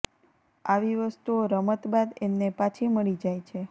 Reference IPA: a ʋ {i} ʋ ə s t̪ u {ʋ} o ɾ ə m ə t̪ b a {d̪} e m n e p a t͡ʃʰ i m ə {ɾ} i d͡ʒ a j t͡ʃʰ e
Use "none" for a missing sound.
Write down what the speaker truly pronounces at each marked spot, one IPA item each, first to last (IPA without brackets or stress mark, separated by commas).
i, none, d̪, ɭ